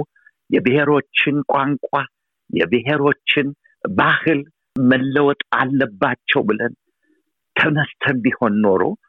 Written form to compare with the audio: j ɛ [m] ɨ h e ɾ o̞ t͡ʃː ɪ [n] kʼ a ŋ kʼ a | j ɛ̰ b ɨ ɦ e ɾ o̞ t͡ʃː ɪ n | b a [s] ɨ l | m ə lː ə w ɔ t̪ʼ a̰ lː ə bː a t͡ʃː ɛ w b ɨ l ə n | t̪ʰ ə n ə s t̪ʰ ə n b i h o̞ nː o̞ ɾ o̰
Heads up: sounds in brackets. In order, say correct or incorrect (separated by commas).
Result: incorrect, correct, incorrect